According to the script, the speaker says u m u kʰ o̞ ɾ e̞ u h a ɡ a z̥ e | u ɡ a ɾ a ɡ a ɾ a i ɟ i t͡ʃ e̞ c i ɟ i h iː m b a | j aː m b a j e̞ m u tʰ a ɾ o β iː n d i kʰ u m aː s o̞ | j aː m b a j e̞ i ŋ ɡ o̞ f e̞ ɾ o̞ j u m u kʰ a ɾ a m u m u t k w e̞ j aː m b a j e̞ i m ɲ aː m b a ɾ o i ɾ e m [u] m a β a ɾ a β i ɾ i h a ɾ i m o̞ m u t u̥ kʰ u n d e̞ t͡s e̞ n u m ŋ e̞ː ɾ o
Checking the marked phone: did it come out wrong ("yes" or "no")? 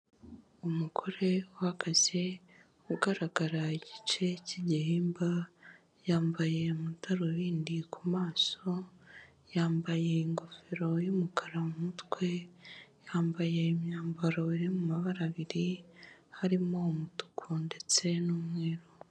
no